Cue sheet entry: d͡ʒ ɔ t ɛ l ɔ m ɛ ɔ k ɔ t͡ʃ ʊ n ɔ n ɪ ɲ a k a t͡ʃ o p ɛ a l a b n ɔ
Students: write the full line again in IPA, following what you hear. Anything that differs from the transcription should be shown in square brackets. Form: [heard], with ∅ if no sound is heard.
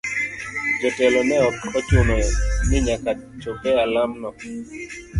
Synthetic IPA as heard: d͡ʒ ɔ t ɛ l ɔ m ɛ ɔ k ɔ t͡ʃ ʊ n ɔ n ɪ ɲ a k a t͡ʃ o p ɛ a l a [m] n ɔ